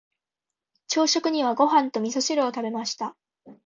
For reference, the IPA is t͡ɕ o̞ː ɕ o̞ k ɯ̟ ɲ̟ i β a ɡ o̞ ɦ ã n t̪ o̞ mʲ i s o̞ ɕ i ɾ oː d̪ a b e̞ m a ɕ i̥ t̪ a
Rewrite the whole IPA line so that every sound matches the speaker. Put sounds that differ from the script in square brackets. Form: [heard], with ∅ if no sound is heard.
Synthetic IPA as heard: t͡ɕ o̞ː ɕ o̞ k ɯ̟ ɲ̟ i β a ɡ o̞ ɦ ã n t̪ o̞ mʲ i s o̞ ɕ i ɾ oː [t̪] a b e̞ m a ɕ i̥ t̪ a